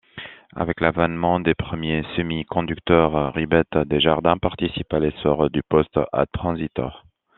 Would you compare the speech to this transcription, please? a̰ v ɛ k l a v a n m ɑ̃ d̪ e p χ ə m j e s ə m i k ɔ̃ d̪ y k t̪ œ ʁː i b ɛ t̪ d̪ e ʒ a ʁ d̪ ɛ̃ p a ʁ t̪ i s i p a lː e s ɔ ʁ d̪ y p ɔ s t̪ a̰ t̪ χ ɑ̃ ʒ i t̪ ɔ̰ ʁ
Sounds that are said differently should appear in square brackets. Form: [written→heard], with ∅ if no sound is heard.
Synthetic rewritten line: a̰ v ɛ k l a v a n m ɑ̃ d̪ e p χ ə m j e s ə m i k ɔ̃ d̪ y k t̪ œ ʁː i b ɛ t̪ d̪ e ʒ a ʁ d̪ ɛ̃ p a ʁ t̪ i s i p a [lː→l] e s ɔ ʁ d̪ y p ɔ s t̪ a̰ t̪ χ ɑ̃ [ʒ→z] i t̪ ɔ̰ ʁ